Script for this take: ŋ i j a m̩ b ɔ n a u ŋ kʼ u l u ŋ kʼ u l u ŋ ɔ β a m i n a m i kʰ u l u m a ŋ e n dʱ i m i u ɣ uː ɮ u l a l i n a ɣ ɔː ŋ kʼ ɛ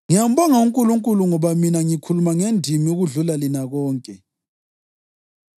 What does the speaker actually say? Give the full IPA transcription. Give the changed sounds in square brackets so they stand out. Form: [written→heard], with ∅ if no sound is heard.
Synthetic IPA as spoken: ŋ i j a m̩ b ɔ [n→ŋ] a u ŋ kʼ u l u ŋ kʼ u l u ŋ ɔ β a m i n a [m→ŋ] i kʰ u l u m a ŋ e n dʱ i m i u ɣ [uː→u] ɮ u l a l i n a ɣ ɔː ŋ kʼ ɛ